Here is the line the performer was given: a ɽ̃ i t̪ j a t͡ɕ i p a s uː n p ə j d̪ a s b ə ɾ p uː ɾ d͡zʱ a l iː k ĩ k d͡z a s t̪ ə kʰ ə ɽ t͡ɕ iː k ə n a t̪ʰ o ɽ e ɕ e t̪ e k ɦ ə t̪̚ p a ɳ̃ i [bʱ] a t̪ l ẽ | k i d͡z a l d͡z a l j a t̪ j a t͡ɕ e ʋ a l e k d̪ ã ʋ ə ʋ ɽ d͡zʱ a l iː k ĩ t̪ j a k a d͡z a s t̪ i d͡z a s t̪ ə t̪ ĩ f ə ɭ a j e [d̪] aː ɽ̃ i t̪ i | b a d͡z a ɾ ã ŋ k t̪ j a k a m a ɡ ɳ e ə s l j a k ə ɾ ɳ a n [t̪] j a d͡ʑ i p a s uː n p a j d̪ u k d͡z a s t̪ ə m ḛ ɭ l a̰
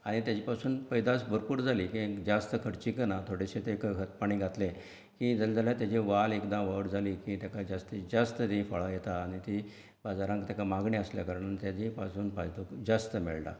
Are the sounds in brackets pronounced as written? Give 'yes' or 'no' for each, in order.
no, no, yes

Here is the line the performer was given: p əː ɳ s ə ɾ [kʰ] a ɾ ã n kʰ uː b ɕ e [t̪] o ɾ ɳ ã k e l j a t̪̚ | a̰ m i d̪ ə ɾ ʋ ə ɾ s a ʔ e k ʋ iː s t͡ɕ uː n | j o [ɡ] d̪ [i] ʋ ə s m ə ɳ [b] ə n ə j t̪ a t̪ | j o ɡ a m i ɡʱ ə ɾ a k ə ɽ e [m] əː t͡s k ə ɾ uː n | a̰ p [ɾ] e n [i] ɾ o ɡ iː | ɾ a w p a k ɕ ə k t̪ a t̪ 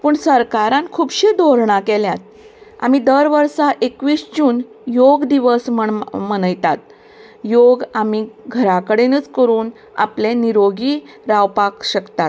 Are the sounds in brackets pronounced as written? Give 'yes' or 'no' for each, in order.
no, no, yes, yes, no, no, no, yes

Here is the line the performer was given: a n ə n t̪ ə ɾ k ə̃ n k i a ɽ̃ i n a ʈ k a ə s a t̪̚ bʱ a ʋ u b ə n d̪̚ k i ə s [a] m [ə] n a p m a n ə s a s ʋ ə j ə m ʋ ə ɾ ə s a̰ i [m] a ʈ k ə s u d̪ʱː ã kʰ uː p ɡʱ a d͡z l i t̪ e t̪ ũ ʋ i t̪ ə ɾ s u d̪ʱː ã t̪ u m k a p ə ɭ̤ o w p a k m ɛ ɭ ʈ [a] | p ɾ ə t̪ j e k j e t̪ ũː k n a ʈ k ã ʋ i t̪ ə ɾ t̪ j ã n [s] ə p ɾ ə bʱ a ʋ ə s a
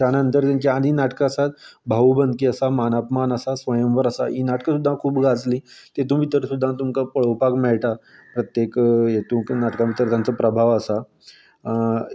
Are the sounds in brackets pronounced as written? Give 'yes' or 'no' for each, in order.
yes, no, no, yes, no

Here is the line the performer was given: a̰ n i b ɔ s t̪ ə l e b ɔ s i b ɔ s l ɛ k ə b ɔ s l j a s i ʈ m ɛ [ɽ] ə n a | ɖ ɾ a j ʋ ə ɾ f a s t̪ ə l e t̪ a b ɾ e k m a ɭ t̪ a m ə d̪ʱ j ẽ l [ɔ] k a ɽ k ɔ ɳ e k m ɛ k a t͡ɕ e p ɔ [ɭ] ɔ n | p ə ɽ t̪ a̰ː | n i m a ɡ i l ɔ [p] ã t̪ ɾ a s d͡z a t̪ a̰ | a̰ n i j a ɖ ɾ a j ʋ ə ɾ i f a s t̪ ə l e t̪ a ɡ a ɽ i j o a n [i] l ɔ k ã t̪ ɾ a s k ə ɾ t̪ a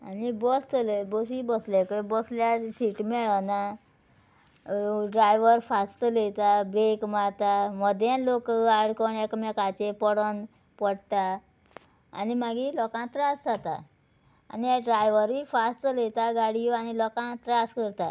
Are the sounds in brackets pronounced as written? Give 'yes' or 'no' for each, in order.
no, no, no, no, yes

